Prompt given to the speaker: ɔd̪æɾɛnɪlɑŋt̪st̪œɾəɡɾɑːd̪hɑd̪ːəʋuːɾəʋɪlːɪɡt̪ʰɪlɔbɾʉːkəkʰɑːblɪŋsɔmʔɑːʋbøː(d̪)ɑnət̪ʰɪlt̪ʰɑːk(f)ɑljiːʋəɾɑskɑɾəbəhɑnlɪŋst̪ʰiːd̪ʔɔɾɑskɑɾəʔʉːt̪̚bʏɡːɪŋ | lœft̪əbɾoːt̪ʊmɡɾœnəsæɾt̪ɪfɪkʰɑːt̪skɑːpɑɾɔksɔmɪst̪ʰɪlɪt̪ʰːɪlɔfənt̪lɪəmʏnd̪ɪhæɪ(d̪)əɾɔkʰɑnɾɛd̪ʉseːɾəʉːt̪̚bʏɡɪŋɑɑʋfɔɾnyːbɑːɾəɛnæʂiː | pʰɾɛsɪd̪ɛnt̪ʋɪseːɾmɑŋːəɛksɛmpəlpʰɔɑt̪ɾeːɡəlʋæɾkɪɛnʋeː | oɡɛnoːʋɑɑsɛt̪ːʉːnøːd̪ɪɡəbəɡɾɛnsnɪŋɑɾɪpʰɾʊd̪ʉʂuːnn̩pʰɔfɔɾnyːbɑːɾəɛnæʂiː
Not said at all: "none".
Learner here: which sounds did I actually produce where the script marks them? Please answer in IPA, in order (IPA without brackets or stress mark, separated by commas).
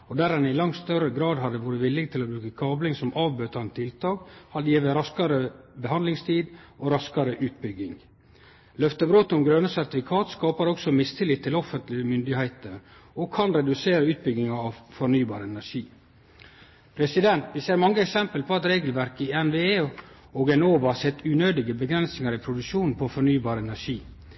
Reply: t̪, h, t̪